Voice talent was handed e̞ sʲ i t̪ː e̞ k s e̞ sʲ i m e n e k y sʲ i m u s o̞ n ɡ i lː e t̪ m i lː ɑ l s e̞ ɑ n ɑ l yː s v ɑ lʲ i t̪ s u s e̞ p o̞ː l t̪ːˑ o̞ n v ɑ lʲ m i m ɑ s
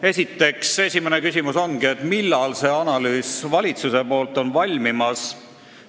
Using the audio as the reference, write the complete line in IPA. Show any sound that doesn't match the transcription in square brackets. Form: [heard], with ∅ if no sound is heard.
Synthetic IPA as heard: e̞ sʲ i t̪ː e̞ k s e̞ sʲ i m e n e k y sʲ i m u s o̞ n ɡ i [∅] e t̪ m i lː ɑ l s e̞ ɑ n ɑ l yː s v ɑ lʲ i t̪ s u s e̞ p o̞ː l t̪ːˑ o̞ n v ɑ lʲ m i m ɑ s